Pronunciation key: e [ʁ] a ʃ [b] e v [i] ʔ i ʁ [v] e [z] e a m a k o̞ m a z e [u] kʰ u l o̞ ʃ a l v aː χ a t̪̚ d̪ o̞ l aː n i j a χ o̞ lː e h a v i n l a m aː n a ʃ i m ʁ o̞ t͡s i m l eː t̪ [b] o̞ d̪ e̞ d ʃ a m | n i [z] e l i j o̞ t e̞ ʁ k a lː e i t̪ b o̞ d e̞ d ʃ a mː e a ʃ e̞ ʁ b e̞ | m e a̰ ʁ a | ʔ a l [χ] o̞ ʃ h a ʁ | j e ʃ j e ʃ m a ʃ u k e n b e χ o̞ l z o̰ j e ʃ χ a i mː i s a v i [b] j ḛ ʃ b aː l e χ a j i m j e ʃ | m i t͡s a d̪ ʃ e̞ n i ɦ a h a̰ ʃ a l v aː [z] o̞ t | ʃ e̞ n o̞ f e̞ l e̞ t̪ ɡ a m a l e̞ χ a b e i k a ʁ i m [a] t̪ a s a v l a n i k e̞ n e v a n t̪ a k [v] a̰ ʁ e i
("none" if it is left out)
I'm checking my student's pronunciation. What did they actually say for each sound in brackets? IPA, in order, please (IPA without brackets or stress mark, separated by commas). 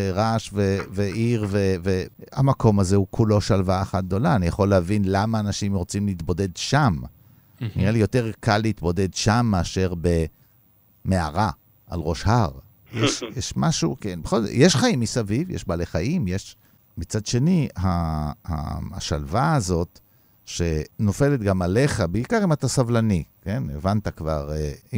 ʁ, v, e, v, v, u, b, ʁ, ʁ, v, z, a, v